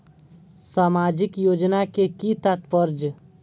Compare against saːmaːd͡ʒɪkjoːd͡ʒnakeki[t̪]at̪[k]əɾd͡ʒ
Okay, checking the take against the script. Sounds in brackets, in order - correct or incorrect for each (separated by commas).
correct, incorrect